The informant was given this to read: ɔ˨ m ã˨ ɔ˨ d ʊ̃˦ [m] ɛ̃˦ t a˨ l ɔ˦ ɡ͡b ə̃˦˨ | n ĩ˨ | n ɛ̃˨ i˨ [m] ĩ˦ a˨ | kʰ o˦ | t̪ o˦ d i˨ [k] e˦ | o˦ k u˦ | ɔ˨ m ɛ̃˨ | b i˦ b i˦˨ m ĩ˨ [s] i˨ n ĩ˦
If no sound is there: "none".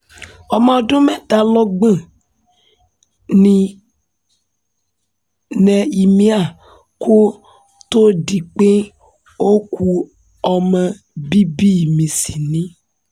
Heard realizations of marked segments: m, m, k͡p, s

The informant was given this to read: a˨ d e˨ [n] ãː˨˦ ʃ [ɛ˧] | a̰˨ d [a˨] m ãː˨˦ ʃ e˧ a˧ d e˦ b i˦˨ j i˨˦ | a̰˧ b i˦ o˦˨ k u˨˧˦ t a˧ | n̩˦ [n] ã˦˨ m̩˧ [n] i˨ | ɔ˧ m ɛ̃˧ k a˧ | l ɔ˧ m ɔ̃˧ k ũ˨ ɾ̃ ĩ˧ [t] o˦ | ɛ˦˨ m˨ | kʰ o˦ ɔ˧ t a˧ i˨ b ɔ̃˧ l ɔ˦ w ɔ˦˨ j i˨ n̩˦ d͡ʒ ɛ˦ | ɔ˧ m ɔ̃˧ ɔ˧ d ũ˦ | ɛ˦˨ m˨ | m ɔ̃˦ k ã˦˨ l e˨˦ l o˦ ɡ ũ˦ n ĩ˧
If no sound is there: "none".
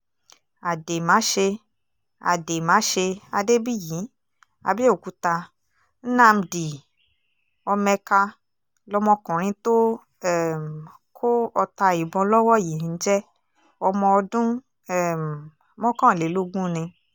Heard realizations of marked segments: m, e˧, e˨, n, d, t

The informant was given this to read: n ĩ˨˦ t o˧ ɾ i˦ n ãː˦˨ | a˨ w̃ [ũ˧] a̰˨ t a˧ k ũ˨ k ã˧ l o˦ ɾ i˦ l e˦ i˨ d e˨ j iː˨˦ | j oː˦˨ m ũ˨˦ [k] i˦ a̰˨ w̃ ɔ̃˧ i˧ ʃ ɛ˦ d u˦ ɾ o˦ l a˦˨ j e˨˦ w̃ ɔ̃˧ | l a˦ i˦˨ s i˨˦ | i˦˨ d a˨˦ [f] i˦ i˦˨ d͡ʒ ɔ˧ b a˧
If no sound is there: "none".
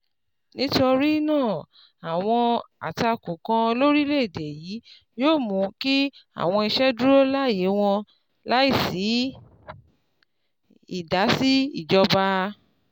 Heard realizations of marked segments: ɔ̃˧, k, s

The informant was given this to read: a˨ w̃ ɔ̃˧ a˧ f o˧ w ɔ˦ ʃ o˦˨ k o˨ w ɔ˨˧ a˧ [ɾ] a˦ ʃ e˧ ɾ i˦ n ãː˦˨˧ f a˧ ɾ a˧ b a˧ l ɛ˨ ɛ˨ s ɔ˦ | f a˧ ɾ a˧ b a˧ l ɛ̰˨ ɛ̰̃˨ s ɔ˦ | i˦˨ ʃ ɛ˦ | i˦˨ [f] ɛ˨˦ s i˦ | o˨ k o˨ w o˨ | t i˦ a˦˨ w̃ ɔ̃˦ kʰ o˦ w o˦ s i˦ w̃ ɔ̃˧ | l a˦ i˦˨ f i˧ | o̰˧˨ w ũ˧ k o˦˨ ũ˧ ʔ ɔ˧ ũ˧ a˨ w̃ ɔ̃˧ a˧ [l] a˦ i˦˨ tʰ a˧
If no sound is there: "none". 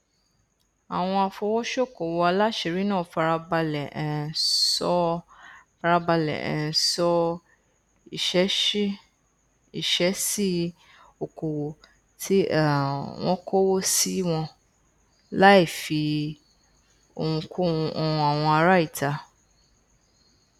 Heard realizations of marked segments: l, ʃ, ɾ

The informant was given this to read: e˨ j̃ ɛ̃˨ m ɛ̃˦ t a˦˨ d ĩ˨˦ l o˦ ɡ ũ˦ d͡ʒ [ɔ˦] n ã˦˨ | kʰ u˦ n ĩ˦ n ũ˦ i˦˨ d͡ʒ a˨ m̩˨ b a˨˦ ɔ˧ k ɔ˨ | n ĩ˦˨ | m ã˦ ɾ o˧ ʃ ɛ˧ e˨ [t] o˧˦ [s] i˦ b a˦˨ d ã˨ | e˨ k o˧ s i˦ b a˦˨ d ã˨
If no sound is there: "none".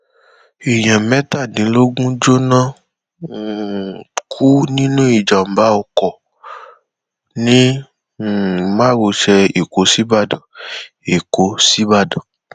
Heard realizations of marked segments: o˦, k, s

